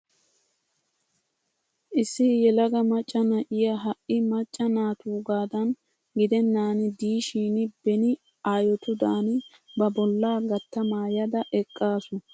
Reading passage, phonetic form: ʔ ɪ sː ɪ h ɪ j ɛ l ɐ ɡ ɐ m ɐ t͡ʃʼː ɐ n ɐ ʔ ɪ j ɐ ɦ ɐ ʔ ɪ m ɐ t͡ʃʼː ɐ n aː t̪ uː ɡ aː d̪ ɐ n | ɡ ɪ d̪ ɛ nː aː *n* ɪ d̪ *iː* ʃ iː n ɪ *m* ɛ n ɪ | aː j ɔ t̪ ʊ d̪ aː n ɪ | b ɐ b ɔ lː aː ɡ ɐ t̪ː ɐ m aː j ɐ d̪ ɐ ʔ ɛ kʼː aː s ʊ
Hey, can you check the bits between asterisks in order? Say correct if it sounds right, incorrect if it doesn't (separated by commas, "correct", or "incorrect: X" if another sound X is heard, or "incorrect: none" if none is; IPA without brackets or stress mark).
correct, correct, incorrect: b